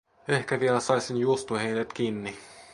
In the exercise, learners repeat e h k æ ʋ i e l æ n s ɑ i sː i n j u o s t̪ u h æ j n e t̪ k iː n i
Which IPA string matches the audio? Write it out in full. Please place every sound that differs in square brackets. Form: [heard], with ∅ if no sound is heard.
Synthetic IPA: e h k æ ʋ i e l æ [∅] s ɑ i [s] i n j u o s t̪ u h [e] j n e t̪ k iː [nː] i